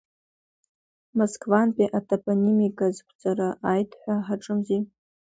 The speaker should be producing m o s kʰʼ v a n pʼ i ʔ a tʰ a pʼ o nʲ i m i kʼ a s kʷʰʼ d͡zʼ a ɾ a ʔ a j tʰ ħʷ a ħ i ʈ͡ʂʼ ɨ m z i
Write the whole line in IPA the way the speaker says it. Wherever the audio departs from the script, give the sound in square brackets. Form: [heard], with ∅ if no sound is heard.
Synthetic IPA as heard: m o s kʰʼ v a n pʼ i ʔ a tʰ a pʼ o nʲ i m i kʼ a [z] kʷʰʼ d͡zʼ a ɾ a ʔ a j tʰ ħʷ a ħ [a] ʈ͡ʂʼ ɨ m z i